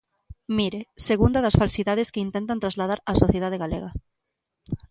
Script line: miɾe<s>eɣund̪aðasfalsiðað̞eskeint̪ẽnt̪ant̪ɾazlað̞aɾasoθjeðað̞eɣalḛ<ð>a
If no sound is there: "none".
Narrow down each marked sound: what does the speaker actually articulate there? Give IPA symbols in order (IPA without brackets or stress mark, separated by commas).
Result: s, ɣ